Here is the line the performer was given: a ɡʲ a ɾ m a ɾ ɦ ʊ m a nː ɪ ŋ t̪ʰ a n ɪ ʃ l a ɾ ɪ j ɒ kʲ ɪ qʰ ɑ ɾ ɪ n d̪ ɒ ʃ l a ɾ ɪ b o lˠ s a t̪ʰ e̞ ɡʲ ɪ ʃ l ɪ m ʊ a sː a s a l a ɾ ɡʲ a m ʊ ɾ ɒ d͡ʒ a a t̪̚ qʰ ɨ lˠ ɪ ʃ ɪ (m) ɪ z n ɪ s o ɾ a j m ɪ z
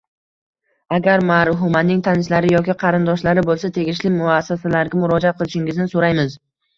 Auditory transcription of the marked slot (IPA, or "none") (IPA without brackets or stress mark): ŋ